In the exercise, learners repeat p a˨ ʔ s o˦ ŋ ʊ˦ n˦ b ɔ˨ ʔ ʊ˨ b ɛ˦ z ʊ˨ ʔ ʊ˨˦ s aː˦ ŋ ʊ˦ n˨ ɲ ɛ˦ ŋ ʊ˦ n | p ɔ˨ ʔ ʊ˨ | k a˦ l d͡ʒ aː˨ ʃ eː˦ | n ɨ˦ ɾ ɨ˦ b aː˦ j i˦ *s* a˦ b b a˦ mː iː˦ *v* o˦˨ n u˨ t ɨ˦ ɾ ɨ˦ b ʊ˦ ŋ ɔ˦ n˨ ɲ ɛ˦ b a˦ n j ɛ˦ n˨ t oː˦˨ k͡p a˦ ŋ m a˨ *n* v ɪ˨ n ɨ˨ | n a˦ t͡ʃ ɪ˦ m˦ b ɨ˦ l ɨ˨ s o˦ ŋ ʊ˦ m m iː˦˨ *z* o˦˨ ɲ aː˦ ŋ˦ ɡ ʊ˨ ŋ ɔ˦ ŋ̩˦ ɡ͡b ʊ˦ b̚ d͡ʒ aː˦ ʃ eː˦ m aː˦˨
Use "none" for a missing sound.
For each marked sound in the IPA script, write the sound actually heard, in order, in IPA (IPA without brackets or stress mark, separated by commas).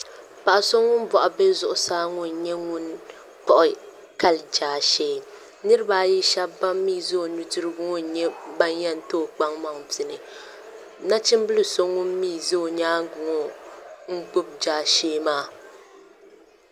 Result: ʃ, z, ŋ, z